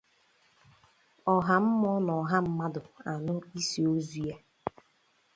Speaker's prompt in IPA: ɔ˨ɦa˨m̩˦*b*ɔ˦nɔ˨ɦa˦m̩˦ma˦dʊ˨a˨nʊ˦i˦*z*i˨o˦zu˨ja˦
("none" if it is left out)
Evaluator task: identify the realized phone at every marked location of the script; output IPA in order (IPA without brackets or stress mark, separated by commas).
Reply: m, s